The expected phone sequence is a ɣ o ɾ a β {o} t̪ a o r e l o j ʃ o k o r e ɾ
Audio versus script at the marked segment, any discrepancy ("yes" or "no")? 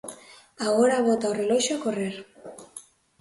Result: no